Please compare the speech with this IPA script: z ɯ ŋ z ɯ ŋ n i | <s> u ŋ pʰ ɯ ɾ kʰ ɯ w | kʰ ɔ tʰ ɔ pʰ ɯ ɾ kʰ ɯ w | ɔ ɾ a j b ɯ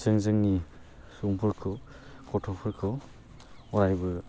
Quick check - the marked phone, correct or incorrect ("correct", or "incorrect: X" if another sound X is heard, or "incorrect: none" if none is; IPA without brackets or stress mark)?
correct